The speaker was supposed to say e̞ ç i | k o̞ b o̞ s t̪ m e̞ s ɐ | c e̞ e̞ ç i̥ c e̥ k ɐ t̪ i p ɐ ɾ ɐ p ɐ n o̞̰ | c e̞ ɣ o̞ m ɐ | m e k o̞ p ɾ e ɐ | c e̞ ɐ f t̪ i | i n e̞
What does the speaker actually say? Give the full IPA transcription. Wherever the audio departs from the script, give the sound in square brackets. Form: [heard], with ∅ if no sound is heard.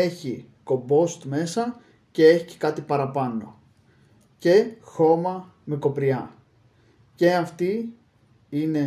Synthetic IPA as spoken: e̞ ç i | k o̞ b o̞ s t̪ m e̞ s ɐ | c e̞ e̞ ç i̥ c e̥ k ɐ t̪ i p ɐ ɾ ɐ p ɐ n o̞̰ | c e̞ [x] o̞ m ɐ | m e k o̞ p ɾ [i] ɐ | c e̞ ɐ f t̪ i | i n e̞